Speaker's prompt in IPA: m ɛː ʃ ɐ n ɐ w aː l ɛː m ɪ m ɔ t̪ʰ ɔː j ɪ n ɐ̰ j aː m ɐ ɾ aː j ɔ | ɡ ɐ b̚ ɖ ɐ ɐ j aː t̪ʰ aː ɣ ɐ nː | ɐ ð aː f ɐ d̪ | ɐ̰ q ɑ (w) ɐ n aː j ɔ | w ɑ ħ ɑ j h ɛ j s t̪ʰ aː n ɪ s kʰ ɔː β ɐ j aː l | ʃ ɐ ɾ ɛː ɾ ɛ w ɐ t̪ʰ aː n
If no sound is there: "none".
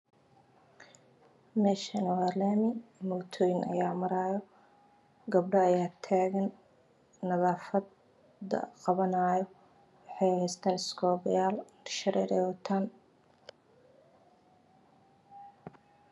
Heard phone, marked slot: β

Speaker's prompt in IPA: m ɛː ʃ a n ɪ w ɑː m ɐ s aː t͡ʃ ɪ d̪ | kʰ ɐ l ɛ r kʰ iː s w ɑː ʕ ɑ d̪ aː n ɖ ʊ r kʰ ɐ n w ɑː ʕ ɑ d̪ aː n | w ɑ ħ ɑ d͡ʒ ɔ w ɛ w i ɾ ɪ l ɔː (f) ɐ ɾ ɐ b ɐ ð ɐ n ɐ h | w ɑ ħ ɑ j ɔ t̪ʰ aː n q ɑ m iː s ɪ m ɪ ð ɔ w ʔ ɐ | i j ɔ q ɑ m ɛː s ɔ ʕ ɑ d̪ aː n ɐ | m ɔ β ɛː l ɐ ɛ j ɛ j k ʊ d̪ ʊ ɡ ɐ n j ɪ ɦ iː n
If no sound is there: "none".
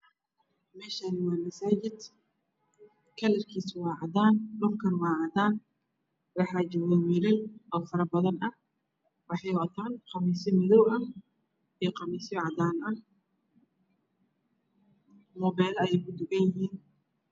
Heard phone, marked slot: f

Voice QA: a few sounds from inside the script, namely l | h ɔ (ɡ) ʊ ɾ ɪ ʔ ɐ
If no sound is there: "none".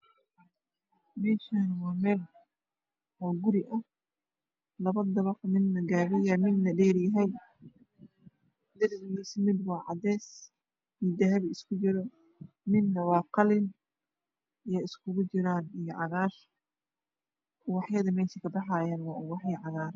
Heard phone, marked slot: ɡ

